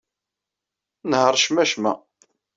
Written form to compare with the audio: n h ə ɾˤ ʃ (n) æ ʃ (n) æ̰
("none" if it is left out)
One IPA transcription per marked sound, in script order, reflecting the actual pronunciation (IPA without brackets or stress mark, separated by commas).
m, m